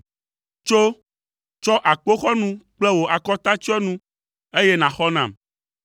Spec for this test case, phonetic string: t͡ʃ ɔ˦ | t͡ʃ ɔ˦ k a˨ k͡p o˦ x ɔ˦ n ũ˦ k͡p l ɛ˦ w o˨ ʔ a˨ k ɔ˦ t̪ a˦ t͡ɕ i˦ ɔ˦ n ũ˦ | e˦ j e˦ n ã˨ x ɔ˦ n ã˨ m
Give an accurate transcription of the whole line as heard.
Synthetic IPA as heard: t͡ʃ o˦ | t͡ʃ ɔ˦ ʔ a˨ k͡p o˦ x ɔ˦ n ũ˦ k͡p l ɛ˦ w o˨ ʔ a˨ k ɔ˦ t̪ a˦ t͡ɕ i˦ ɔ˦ n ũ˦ | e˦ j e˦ n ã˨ x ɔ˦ n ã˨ m